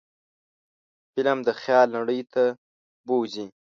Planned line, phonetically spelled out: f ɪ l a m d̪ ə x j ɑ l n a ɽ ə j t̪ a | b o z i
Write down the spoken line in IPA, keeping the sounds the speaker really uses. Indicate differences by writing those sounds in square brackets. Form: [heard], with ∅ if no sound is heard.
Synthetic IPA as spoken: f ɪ l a m d̪ ə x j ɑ l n a ɽ ə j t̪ a | b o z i